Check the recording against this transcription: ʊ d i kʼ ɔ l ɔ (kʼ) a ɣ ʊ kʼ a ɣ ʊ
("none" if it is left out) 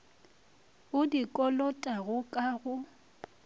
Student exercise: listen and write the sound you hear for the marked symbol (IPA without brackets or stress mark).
tʼ